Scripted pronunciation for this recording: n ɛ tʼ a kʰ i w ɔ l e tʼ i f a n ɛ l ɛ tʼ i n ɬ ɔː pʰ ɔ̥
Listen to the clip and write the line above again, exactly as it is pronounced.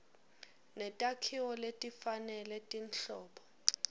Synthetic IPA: n ɛ tʼ a kʰ i w ɔ l e tʼ i f a n ɛ l ɛ tʼ i n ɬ ɔː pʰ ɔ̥